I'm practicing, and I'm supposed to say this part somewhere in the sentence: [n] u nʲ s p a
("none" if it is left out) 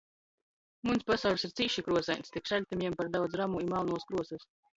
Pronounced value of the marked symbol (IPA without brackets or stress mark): m